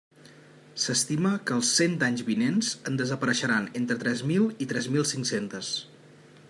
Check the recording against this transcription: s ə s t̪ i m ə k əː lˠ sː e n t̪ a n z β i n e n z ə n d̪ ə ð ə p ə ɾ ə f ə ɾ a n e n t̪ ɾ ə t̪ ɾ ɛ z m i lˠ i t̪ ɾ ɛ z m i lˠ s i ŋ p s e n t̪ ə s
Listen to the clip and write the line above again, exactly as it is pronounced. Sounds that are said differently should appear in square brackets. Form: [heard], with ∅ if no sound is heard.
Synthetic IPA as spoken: s ə s t̪ i m ə k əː lˠ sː e n t̪ a [ɲ] z β i n e n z ə n d̪ ə [z] ə p ə ɾ ə [ʃ] ə ɾ a n e n t̪ ɾ ə t̪ ɾ ɛ z m i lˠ i t̪ ɾ ɛ z m i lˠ s i ŋ [k] s e n t̪ ə s